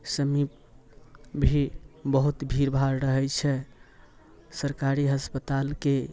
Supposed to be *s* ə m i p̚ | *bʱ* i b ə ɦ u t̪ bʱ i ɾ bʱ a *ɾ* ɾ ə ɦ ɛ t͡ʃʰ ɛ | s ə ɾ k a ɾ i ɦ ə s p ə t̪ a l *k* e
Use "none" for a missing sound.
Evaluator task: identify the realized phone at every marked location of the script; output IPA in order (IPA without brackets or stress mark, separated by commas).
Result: s, bʱ, ɾ, k